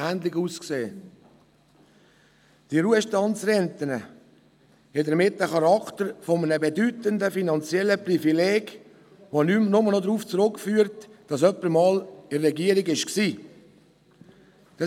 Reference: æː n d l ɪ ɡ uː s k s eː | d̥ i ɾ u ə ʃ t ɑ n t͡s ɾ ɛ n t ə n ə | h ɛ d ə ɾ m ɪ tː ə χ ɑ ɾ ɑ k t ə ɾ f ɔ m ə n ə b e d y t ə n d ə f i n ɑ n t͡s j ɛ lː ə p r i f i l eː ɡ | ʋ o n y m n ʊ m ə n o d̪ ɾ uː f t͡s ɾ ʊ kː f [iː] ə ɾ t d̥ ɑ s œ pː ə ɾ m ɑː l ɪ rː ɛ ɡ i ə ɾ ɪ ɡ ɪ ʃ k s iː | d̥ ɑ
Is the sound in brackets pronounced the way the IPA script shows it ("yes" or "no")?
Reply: no